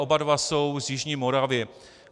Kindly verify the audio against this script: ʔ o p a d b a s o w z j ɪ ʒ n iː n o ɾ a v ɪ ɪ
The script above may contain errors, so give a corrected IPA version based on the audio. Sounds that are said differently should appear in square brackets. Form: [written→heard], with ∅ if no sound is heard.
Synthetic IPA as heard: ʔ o [p→b] a d [b→v] a s o w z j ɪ ʒ [n→ɲ] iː [n→m] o ɾ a v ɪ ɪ